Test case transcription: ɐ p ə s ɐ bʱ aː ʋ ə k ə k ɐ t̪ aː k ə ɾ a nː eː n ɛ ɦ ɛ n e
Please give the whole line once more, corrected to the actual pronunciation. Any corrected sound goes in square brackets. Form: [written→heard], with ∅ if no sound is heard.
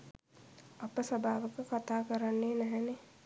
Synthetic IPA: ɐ p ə s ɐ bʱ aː ʋ ə k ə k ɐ t̪ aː k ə ɾ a nː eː n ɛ ɦ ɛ n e